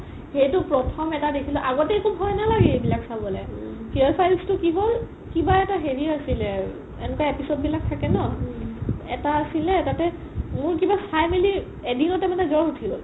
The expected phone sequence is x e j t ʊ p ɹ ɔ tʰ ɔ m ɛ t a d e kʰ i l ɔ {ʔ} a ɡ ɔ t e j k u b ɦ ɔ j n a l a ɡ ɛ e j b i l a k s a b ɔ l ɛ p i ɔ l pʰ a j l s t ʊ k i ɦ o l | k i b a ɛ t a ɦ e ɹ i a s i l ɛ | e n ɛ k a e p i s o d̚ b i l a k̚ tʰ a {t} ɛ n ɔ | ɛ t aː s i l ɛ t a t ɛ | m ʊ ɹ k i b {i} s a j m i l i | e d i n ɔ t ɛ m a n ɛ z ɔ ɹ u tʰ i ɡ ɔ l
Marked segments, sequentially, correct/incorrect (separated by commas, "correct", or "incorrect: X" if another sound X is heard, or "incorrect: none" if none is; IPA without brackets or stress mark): correct, incorrect: k, incorrect: a